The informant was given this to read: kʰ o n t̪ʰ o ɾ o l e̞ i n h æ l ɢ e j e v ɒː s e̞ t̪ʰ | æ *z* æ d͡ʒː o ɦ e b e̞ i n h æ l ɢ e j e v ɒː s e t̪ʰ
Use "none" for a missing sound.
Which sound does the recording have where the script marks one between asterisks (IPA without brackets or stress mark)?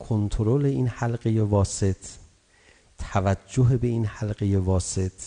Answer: v